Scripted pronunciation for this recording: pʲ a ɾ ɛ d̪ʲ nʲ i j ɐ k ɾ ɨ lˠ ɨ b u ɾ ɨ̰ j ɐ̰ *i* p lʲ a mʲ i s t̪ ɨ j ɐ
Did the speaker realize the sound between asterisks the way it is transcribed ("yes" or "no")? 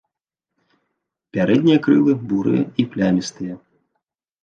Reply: yes